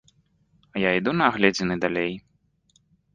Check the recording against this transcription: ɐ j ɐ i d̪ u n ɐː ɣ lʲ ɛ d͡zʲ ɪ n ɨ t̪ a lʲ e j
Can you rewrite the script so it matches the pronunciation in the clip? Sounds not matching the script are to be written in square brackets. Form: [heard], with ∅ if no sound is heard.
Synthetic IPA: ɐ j [a] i d̪ u n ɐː ɣ lʲ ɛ d͡zʲ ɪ n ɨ [d̪] a lʲ e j